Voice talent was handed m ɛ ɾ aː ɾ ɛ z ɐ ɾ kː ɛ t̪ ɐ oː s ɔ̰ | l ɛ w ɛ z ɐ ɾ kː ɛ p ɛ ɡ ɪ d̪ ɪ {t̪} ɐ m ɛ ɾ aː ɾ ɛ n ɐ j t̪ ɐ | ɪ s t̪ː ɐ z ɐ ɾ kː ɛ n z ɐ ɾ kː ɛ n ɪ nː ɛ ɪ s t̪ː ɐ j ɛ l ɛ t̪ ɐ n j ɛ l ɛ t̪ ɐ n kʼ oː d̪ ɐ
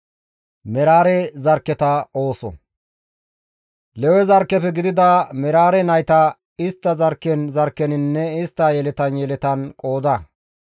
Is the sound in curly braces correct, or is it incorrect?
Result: incorrect